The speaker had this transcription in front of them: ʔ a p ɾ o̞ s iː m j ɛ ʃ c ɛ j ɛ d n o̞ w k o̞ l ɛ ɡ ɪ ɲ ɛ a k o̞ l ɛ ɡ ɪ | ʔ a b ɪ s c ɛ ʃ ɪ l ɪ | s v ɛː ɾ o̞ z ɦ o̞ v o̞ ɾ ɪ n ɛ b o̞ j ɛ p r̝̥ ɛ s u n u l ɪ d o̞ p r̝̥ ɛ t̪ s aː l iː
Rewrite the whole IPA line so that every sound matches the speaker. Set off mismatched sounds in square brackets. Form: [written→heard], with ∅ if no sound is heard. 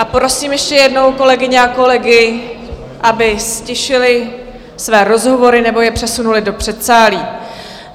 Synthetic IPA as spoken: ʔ a p ɾ o̞ s iː m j ɛ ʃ c ɛ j ɛ d n o̞ w k o̞ l ɛ ɡ ɪ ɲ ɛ a k o̞ l ɛ ɡ ɪ | ʔ a b ɪ s c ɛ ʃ ɪ l ɪ | s v ɛː ɾ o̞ z ɦ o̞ v o̞ ɾ ɪ n ɛ b o̞ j ɛ p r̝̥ ɛ s u n u l ɪ d o̞ p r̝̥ ɛ t̪ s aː l iː

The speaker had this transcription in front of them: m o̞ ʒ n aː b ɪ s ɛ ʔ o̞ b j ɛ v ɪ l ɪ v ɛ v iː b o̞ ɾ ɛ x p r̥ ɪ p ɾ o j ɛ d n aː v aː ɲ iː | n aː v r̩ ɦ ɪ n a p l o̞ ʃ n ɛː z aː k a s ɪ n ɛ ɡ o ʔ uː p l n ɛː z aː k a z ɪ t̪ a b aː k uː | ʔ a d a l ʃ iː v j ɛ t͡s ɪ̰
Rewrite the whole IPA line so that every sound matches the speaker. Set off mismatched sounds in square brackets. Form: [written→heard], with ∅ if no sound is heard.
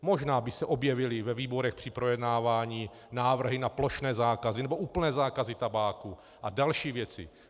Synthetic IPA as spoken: m o̞ ʒ n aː b ɪ s ɛ ʔ o̞ b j ɛ v ɪ l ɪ v ɛ v iː b o̞ ɾ ɛ x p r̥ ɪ p ɾ o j ɛ d n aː v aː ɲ iː | n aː v r̩ ɦ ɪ n a p l o̞ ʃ n ɛː z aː k a [s→z] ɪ n ɛ [ɡ→b] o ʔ uː p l n ɛː z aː k a z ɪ t̪ a b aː k [uː→u] | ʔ a d a l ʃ iː v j ɛ t͡s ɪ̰

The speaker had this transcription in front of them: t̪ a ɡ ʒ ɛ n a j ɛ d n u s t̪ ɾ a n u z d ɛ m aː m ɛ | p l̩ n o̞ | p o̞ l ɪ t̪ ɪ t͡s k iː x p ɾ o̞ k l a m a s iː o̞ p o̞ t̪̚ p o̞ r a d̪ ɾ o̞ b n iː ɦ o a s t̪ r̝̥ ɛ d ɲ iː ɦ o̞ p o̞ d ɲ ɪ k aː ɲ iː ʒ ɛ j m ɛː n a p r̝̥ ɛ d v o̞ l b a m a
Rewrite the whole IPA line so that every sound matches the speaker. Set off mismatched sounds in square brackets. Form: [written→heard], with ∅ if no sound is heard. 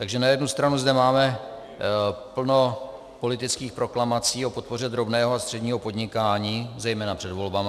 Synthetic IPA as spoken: t̪ a ɡ ʒ ɛ n a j ɛ d n u s t̪ ɾ a n u z d ɛ m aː m ɛ | p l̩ n o̞ | p o̞ l ɪ t̪ ɪ t͡s k iː x p ɾ o̞ k l a m a [s→t͡s] iː o̞ p o̞ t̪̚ p o̞ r [a→ɛ] d̪ ɾ o̞ b n [iː→ɛː] ɦ o a s t̪ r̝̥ ɛ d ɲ iː ɦ o̞ p o̞ d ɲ ɪ k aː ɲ iː [ʒ→z] ɛ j m ɛː n a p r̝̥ ɛ d v o̞ l b a m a

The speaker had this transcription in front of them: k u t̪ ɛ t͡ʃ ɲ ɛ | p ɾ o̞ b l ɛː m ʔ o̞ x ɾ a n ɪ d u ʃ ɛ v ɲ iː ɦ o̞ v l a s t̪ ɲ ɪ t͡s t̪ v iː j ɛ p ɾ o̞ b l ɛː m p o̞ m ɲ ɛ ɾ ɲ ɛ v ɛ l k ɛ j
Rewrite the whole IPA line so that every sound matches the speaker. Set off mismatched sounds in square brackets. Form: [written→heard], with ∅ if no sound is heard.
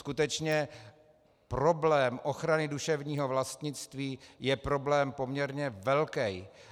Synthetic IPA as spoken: k u t̪ ɛ t͡ʃ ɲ ɛ | p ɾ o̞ b l ɛː m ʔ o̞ x ɾ a n ɪ d u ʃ ɛ v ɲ iː ɦ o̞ v l a s t̪ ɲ ɪ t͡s t̪ v iː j ɛ p ɾ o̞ b l ɛː m p o̞ m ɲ ɛ ɾ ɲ ɛ v ɛ l k ɛ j

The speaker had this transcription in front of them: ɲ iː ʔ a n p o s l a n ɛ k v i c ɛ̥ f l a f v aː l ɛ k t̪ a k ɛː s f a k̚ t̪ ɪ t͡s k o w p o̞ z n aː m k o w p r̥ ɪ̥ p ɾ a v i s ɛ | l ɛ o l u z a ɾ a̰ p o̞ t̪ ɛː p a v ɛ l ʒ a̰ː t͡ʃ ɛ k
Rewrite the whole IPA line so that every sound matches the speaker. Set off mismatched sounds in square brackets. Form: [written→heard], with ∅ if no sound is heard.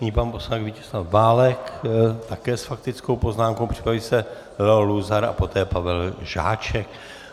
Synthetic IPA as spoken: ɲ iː [ʔ→p] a n p o s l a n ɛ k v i c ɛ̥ [f→s] l a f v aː l ɛ k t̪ a k ɛː s f a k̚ t̪ ɪ t͡s k o w p o̞ z n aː m k o w p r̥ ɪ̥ p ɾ a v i s ɛ | l ɛ o l u z a ɾ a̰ p o̞ t̪ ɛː p a v ɛ l ʒ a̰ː t͡ʃ ɛ k

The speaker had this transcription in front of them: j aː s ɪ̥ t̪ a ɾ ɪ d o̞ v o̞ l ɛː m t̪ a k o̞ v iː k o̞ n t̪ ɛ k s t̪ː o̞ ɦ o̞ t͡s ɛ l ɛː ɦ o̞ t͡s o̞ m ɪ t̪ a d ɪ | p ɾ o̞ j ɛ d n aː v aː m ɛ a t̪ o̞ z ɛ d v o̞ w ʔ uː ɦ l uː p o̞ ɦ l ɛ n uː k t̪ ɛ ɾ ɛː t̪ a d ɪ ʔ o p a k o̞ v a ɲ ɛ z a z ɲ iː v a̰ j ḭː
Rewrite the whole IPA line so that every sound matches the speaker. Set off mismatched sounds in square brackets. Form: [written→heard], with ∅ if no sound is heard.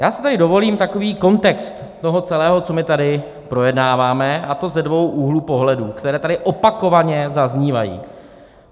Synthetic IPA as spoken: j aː s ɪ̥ t̪ a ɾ ɪ d o̞ v o̞ l [ɛː→iː] m t̪ a k o̞ v iː k o̞ n t̪ ɛ k s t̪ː o̞ ɦ o̞ t͡s ɛ l ɛː ɦ o̞ t͡s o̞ m ɪ t̪ a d ɪ | p ɾ o̞ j ɛ d n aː v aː m ɛ a t̪ o̞ z ɛ d v o̞ w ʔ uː ɦ l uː p o̞ ɦ l ɛ [n→d] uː k t̪ ɛ ɾ ɛː t̪ a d ɪ ʔ o p a k o̞ v a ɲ ɛ z a z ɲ iː v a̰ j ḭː

